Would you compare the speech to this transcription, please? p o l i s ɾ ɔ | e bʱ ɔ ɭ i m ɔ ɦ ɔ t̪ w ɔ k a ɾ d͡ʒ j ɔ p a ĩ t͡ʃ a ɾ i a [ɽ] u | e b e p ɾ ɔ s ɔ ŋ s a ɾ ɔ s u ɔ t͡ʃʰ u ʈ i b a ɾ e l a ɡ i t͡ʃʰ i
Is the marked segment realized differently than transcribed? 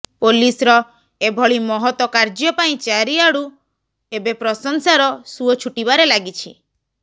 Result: no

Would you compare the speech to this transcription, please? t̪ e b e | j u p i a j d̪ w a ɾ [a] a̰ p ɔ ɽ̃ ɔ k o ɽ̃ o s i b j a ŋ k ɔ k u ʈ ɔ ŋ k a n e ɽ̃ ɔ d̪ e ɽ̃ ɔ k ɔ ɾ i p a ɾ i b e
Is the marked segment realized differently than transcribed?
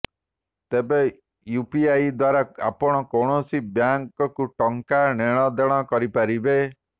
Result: no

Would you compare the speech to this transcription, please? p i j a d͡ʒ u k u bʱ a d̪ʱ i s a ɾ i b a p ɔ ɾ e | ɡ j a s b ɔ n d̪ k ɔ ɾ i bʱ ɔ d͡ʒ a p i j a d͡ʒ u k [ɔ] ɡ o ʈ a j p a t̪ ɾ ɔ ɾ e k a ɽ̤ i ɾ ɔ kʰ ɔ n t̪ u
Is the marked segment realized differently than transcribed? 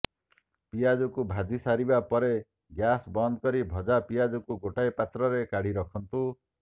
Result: yes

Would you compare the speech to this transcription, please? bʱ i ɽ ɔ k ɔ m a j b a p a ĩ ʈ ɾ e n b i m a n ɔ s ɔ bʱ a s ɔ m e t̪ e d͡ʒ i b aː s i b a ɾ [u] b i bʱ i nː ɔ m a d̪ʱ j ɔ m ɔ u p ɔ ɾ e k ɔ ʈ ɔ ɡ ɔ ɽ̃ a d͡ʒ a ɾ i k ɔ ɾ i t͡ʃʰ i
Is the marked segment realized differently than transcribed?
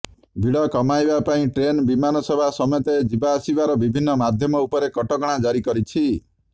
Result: yes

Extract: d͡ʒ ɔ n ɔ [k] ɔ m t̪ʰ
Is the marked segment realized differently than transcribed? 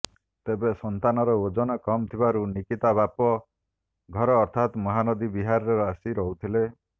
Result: no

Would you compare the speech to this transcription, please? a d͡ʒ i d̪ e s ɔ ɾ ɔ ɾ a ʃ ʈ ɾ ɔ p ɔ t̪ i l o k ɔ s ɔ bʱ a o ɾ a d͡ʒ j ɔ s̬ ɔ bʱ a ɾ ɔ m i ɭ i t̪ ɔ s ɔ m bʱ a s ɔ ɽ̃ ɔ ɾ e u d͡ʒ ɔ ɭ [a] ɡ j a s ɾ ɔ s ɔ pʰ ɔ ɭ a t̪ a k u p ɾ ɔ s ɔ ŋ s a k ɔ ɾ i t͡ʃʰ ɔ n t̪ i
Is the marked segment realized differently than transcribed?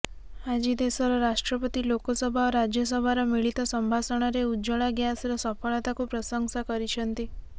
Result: no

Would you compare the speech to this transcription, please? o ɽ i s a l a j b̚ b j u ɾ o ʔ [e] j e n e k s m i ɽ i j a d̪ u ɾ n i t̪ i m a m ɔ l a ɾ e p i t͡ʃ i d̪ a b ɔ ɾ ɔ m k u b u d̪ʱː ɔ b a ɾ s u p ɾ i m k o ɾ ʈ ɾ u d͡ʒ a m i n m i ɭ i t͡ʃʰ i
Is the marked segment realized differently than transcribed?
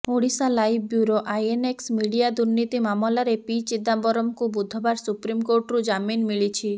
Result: yes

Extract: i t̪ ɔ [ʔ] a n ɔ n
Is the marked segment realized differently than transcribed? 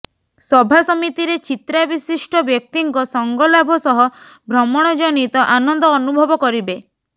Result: no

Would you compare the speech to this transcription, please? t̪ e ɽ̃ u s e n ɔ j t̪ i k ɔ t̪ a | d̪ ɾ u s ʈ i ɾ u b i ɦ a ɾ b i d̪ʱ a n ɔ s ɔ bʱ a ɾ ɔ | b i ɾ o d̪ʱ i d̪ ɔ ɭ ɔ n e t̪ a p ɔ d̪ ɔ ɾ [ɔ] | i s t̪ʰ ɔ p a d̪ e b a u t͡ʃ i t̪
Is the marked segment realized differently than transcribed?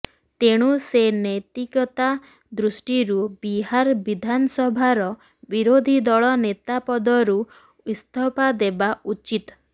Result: yes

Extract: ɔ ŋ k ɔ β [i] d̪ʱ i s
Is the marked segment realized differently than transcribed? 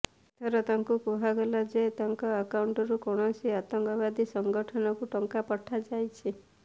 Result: yes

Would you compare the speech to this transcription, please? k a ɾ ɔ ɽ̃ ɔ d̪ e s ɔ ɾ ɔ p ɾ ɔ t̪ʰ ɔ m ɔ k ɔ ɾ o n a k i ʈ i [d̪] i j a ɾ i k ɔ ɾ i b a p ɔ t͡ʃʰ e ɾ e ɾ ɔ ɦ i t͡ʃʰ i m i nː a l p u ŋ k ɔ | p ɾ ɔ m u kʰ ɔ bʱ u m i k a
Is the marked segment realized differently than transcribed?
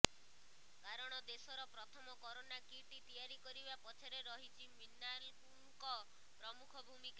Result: yes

